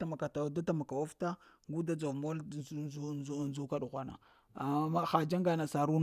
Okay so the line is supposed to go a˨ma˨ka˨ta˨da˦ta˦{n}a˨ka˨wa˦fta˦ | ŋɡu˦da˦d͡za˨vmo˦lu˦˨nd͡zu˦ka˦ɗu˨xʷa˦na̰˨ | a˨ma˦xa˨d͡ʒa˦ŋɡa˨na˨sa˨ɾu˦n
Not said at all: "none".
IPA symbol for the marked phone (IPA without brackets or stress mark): m